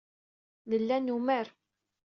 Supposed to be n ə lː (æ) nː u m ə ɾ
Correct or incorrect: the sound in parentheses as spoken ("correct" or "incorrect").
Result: correct